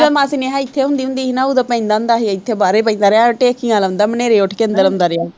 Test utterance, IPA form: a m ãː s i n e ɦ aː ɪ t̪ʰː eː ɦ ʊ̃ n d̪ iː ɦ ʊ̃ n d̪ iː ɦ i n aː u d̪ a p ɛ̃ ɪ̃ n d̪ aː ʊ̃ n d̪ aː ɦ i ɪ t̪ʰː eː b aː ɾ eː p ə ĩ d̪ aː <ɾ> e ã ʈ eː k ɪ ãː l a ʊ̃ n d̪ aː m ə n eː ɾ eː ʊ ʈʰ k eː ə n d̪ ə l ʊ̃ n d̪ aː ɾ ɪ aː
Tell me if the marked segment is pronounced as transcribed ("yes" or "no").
yes